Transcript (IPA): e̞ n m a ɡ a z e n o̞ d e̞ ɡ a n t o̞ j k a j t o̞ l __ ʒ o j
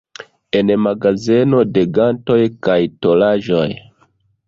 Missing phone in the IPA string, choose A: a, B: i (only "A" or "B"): A